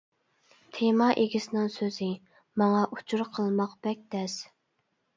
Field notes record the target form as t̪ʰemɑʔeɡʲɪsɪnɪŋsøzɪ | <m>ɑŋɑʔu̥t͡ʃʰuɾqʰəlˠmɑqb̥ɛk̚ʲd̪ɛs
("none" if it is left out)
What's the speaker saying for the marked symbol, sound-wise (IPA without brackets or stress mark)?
m